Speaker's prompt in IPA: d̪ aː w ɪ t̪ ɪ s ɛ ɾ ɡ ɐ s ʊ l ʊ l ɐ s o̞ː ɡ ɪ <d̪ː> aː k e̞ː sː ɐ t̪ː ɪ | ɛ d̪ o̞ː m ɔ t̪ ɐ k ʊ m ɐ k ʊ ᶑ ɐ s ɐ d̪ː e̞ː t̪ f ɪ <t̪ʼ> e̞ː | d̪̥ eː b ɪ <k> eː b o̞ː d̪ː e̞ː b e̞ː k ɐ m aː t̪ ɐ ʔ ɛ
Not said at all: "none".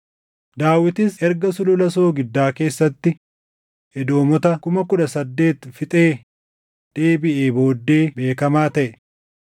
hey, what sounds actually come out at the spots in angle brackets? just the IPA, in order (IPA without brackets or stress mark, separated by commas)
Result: d̪ː, t̪ʼ, ʔ